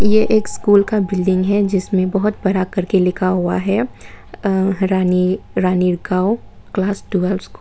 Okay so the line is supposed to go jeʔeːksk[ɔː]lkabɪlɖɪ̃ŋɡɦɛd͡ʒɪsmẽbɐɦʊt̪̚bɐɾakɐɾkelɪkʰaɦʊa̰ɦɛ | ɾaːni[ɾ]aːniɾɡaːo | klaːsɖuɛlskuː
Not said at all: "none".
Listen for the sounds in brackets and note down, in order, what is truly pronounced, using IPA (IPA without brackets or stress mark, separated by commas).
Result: uː, ɾ